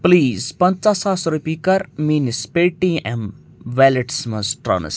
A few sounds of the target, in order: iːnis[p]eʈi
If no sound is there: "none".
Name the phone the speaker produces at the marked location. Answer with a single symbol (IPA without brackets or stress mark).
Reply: p